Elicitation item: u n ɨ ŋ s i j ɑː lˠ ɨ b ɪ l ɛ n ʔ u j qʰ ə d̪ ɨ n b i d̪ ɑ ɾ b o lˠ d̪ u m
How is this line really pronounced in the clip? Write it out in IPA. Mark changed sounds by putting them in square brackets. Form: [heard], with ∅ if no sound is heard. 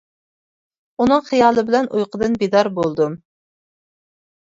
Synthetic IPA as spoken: u n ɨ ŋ [χ] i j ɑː lˠ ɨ b ɪ l ɛ n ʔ u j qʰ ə d̪ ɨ n b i d̪ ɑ ɾ b o lˠ d̪ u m